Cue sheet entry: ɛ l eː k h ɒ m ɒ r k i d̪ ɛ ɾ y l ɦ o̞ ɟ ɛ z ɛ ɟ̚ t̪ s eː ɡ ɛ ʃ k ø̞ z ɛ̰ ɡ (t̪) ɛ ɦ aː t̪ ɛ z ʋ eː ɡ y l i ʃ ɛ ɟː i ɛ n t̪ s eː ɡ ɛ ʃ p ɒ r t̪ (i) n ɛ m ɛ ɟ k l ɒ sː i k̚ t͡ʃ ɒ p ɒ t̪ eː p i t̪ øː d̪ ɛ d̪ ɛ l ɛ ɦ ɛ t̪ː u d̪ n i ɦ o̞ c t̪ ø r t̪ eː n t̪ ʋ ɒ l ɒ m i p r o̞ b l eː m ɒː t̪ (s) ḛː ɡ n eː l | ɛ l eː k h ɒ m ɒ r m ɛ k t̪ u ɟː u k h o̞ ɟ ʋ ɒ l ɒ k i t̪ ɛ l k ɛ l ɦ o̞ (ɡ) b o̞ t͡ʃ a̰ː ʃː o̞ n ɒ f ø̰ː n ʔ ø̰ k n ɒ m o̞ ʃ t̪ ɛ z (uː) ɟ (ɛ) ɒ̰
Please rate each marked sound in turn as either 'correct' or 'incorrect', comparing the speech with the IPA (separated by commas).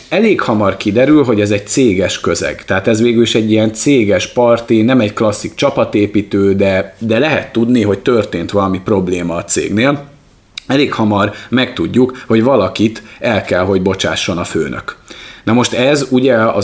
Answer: correct, correct, correct, incorrect, incorrect, correct